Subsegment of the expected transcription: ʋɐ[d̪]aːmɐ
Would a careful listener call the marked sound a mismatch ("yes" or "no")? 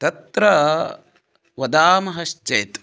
no